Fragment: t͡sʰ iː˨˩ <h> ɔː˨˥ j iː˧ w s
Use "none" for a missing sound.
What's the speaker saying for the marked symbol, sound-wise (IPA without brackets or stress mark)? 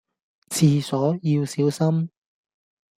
s